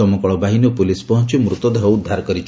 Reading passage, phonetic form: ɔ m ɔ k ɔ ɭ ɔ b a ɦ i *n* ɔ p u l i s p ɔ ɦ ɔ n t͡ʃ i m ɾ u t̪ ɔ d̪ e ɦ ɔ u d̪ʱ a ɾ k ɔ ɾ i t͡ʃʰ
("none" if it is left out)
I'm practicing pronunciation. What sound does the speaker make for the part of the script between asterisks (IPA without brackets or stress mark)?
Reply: n